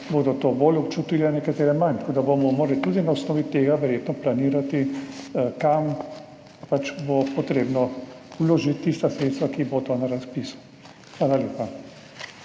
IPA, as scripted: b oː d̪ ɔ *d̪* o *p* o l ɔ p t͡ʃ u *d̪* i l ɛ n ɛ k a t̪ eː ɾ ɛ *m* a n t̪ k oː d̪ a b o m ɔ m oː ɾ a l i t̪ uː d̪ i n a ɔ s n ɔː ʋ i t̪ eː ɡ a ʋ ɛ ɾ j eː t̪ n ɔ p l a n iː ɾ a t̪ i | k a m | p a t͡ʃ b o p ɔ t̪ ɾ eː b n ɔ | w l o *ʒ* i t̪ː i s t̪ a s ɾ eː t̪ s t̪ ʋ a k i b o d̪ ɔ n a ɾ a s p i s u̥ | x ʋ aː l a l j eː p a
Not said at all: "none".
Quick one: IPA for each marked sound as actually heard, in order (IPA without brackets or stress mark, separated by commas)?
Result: t̪, b, t̪, m, ʒ